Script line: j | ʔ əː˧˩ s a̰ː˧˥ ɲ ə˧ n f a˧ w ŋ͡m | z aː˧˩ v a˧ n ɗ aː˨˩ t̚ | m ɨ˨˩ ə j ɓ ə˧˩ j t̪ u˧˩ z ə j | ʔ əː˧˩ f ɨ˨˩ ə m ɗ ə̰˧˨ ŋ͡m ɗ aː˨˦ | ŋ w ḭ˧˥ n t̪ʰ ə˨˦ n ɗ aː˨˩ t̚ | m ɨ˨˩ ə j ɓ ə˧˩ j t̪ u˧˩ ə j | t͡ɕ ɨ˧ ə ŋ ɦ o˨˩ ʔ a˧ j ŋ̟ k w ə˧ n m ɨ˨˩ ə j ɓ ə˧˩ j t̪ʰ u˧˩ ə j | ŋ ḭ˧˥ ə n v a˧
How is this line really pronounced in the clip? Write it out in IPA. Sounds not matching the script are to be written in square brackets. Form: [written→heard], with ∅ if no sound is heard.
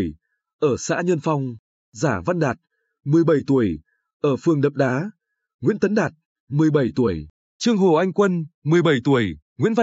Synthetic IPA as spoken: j | ʔ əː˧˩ s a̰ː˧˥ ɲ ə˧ n f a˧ w ŋ͡m | z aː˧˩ v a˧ n ɗ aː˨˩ t̚ | m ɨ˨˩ ə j ɓ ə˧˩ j t̪ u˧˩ [z→∅] ə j | ʔ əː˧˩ f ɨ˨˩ ə [m→ŋ] ɗ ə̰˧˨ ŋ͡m ɗ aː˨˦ | ŋ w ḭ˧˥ n [t̪ʰ→t̪] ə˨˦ n ɗ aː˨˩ t̚ | m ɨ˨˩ ə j ɓ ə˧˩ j t̪ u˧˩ ə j | t͡ɕ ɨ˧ ə ŋ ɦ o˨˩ ʔ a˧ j ŋ̟ k w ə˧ n m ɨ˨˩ ə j ɓ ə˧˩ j [t̪ʰ→t̪] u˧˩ ə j | ŋ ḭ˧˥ ə n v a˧